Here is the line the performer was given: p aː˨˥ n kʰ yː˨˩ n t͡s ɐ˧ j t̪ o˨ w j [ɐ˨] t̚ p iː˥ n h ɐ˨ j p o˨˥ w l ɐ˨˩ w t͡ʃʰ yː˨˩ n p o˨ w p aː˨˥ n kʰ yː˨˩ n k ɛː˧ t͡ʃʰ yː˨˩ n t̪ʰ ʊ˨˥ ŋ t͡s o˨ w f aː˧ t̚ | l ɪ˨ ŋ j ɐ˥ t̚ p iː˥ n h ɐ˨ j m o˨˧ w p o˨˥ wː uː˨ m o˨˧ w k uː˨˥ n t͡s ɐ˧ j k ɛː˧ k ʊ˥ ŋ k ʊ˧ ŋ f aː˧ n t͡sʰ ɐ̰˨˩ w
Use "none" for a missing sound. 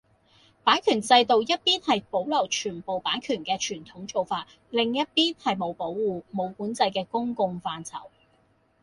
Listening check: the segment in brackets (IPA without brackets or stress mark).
ɐ˥